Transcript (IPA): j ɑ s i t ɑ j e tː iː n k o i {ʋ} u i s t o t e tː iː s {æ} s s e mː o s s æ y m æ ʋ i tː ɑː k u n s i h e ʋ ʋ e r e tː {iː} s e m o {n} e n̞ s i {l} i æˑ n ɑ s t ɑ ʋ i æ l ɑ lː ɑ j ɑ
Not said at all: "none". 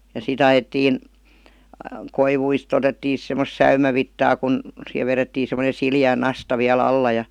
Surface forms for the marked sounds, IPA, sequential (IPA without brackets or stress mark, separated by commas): ʋ, i, iː, n, l